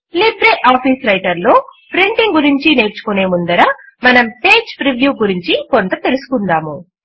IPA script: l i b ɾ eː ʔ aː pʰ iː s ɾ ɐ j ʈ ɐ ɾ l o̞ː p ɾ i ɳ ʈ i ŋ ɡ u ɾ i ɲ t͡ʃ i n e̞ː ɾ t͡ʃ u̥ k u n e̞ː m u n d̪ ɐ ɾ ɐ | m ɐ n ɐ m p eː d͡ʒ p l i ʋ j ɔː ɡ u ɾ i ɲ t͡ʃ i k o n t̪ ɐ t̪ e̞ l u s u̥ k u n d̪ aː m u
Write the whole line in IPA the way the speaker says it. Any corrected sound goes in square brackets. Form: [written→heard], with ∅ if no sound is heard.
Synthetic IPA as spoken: l i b ɾ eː ʔ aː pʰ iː s ɾ ɐ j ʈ ɐ ɾ l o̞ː p ɾ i ɳ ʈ i ŋ ɡ u ɾ i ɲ t͡ʃ i n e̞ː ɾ t͡ʃ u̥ k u n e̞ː m u n d̪ ɐ ɾ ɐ | m ɐ n ɐ m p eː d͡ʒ p [l→ɾ] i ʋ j [ɔː→uː] ɡ u ɾ i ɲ t͡ʃ i k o n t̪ ɐ t̪ e̞ l u s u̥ k u n d̪ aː m u